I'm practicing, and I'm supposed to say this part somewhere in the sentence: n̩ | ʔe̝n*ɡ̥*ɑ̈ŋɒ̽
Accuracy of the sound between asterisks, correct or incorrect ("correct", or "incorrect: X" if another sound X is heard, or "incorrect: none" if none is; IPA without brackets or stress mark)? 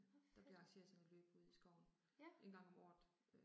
correct